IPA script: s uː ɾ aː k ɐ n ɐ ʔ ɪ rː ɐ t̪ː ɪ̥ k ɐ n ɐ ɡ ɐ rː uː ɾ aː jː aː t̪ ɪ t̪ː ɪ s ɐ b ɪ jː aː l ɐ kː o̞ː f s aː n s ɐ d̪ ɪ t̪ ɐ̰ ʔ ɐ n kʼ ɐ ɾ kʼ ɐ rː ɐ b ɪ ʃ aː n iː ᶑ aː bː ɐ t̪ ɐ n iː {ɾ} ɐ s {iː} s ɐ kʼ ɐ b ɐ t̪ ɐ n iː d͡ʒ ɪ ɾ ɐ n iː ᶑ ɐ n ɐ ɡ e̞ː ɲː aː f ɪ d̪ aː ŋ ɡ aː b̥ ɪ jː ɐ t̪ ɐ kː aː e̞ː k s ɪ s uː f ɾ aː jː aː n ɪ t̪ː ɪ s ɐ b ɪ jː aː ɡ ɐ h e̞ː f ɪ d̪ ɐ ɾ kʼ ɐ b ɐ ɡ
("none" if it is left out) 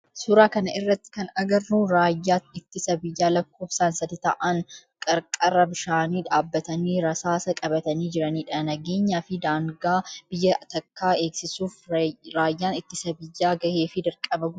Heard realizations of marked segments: ɾ, aː

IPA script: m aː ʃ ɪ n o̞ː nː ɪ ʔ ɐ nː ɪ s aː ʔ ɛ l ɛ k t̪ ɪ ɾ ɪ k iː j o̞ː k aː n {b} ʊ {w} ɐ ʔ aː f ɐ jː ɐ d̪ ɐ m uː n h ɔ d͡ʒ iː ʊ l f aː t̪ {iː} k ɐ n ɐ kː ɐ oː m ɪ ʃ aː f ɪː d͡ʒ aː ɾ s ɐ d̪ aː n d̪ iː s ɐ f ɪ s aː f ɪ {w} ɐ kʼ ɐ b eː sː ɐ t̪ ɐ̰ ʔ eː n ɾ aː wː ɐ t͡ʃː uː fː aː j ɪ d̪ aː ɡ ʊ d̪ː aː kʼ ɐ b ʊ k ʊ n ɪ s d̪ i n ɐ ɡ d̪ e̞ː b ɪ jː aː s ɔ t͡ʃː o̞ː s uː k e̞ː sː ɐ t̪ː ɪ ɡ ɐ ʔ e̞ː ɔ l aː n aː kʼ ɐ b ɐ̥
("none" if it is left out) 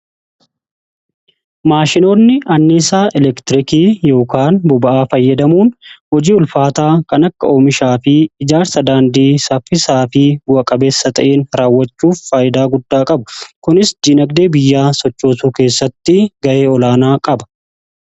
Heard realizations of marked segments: b, b, aː, w

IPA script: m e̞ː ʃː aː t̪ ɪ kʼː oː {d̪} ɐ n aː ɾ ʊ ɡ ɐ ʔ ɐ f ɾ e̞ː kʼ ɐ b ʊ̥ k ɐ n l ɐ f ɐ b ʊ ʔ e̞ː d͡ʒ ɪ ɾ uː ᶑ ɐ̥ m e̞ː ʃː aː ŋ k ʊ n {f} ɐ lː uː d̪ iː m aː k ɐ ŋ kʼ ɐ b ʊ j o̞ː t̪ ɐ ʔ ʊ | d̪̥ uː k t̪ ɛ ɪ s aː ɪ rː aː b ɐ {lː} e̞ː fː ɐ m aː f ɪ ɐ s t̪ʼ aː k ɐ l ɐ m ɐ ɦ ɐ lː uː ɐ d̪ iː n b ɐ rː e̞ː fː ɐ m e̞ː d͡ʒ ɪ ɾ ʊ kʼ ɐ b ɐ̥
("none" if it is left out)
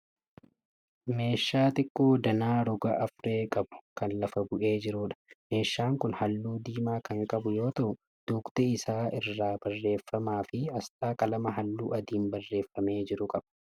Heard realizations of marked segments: d̪, h, rː

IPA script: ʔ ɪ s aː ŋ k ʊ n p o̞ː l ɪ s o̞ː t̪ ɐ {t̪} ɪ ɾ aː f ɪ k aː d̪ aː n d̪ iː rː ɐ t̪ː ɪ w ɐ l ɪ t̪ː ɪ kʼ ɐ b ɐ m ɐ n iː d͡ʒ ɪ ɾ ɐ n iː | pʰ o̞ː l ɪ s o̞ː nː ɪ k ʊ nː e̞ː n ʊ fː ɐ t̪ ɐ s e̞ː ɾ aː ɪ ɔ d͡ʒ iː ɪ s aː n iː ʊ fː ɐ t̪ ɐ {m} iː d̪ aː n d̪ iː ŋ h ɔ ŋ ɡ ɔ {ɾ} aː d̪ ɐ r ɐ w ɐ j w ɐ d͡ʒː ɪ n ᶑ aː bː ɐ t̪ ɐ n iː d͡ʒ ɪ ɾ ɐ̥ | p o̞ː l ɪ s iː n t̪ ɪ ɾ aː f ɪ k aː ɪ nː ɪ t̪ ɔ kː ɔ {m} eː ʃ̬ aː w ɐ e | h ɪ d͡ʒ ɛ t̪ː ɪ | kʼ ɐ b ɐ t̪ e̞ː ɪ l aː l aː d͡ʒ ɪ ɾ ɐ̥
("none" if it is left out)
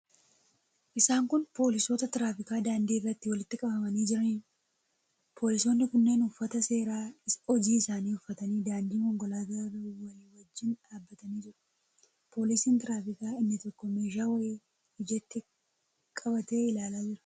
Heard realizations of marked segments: t̪, n, l, m

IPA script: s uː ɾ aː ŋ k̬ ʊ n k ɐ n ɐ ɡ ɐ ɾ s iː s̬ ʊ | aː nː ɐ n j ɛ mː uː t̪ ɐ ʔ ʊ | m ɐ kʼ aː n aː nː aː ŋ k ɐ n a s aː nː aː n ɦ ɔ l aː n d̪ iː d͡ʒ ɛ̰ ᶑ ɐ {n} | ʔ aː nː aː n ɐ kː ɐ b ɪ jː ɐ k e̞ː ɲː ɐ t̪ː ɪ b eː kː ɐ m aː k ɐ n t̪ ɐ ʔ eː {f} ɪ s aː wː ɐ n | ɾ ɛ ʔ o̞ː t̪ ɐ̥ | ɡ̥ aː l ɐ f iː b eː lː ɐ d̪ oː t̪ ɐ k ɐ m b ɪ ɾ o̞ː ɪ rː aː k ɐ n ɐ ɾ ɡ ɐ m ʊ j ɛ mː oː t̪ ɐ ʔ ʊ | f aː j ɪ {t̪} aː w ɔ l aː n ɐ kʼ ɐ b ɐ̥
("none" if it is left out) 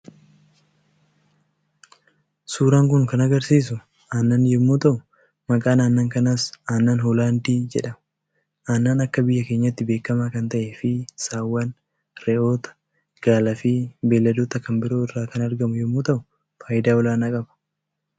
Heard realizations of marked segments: m, f, d̪

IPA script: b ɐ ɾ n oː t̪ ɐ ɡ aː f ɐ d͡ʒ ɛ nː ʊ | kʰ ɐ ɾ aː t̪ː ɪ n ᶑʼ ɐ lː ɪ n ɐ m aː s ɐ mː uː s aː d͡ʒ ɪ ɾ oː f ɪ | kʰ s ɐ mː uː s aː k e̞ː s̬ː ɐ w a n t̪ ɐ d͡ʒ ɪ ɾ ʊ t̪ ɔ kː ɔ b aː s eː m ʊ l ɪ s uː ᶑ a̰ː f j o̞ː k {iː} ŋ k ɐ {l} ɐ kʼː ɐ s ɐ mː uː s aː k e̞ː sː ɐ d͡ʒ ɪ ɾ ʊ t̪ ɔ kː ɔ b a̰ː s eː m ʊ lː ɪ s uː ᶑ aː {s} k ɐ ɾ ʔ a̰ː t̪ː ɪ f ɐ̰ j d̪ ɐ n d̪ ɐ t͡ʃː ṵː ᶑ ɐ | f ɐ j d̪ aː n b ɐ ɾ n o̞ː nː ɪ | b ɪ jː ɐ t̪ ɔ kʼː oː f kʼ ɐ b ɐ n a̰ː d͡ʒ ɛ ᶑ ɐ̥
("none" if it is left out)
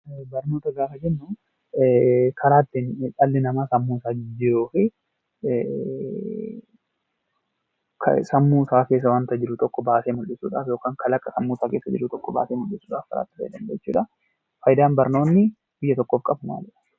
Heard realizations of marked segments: aː, l, f

